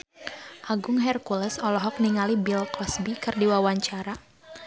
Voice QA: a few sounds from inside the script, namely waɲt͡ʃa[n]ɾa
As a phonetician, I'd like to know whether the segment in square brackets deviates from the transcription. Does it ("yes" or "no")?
yes